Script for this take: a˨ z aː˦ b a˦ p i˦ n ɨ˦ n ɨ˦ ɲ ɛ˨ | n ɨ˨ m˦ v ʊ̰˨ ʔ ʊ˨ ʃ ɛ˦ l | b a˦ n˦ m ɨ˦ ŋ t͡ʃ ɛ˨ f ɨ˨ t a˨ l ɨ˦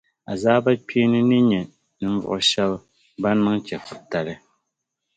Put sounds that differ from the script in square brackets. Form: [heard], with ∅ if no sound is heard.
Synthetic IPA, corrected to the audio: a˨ z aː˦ b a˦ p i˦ n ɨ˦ n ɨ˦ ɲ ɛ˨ | n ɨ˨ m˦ v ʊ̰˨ ʔ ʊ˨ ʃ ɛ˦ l | b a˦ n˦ m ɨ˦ ŋ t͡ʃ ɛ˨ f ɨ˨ t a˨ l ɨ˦